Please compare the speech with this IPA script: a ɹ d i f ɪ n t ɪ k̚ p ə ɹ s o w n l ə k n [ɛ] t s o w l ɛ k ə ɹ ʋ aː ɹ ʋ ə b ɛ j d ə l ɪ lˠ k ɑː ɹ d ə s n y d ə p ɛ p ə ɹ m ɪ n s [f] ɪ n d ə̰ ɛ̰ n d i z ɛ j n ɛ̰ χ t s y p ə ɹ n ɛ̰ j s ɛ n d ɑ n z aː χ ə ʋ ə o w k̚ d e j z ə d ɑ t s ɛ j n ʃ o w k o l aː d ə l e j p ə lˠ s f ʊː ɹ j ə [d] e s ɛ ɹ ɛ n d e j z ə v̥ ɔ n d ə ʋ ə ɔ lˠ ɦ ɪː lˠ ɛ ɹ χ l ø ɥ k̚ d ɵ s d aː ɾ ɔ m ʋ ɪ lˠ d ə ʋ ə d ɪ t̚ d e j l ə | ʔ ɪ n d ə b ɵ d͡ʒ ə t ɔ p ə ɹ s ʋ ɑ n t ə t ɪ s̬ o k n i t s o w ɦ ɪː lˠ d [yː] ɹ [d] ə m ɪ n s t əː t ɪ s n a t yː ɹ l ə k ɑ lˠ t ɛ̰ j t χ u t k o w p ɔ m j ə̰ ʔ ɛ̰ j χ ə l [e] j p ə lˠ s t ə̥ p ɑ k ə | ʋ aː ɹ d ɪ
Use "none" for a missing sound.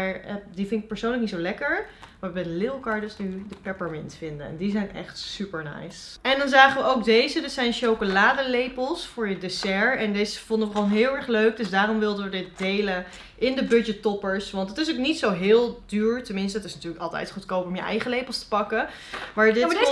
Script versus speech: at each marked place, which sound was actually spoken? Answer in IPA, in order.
i, f, d, yː, t, e

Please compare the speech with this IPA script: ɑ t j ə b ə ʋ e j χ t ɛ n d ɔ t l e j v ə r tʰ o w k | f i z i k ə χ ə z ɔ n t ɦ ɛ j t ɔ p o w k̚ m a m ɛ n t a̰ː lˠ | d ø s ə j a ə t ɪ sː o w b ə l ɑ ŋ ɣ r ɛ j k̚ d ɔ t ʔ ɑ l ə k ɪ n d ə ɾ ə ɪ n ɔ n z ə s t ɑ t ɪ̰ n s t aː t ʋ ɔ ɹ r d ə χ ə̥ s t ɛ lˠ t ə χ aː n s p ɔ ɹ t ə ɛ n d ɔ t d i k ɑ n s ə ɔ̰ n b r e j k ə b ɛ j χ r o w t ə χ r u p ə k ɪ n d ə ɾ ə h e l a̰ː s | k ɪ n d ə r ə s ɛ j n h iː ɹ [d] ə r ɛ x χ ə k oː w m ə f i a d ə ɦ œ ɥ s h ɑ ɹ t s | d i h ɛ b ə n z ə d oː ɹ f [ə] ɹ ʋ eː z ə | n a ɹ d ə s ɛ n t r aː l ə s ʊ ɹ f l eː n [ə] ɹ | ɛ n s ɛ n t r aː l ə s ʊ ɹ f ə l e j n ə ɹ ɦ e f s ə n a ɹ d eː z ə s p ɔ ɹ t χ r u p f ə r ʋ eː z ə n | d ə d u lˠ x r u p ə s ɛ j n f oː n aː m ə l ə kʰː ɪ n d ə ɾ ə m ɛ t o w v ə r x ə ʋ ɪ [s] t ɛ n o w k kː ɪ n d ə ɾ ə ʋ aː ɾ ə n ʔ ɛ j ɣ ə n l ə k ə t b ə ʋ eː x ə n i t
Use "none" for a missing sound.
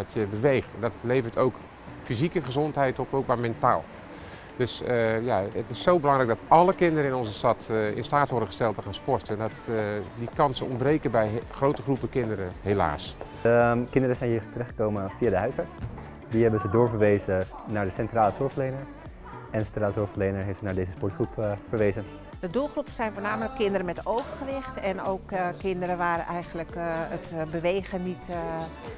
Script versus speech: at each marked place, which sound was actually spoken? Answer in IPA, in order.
t, ə, ə, x

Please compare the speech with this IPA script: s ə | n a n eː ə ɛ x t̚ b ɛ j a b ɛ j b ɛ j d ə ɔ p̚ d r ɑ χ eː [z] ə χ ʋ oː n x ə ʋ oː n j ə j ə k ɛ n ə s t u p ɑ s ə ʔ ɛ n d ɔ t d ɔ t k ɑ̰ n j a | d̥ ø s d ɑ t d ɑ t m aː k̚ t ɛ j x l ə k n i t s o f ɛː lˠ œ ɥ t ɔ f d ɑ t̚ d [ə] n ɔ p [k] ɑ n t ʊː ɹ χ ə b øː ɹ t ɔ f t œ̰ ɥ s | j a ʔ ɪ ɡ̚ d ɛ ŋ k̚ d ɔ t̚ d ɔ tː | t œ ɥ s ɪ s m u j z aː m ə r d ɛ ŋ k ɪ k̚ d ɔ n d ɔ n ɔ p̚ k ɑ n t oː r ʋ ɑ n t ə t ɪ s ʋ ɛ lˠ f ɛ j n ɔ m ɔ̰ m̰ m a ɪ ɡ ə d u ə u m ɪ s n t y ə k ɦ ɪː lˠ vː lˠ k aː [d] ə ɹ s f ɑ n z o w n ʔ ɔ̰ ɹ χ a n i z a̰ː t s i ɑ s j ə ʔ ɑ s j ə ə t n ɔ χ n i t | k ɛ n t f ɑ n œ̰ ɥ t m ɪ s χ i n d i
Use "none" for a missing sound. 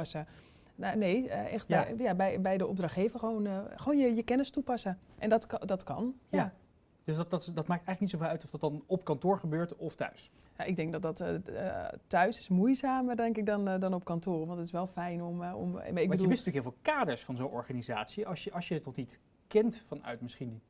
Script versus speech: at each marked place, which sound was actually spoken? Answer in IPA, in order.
v, ɑ, k, d

